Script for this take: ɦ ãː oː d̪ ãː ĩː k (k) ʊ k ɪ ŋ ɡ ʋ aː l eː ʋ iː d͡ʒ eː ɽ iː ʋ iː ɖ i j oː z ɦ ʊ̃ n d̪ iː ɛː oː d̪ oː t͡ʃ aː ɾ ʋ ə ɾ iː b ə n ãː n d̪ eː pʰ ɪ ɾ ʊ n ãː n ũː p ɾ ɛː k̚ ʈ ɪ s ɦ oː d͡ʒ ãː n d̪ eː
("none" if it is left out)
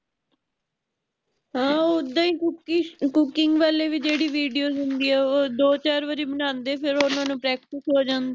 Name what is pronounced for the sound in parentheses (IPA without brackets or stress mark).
k